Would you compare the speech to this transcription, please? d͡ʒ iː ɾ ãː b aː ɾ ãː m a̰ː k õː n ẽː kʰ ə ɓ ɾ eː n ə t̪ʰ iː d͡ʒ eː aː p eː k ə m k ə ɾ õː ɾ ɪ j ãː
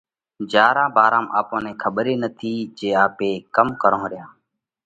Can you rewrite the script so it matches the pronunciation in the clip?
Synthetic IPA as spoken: d͡ʒ aː ɾ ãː b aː ɾ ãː m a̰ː p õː n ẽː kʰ ə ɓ ɾ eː n ə t̪ʰ iː d͡ʒ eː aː p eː k ə m k ə ɾ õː ɾ ɪ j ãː